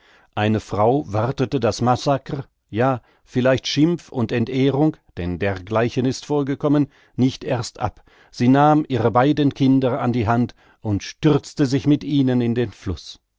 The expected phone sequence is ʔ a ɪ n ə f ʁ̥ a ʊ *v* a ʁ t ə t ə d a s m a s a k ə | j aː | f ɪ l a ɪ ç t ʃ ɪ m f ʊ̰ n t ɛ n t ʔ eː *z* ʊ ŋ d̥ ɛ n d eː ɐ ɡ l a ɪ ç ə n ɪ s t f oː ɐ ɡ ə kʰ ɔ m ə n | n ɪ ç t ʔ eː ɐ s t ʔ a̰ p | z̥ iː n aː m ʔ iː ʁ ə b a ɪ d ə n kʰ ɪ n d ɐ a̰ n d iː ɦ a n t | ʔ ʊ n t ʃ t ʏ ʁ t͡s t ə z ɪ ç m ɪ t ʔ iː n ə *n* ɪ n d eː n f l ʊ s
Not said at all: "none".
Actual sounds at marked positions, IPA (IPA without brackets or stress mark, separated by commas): v, ʁ, n